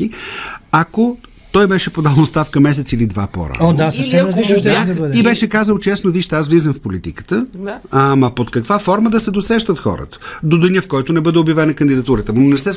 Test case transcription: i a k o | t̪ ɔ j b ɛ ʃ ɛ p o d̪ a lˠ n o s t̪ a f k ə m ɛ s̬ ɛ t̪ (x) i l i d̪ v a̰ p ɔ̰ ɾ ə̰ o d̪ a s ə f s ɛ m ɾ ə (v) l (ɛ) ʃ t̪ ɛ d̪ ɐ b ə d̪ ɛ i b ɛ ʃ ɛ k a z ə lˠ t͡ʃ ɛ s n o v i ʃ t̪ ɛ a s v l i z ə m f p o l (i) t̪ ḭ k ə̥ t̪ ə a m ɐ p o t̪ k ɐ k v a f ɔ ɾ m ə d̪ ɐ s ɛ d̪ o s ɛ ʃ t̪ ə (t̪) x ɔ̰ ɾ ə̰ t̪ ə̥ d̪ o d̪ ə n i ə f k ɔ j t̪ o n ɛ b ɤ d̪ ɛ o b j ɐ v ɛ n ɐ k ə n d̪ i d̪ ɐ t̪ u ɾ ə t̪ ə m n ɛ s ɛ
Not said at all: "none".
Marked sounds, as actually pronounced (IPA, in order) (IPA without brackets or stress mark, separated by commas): s, z, i, i, t̪